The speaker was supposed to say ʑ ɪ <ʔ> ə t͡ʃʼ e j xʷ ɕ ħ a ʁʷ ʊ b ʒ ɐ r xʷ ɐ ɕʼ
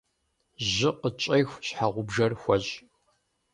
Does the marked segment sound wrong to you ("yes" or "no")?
yes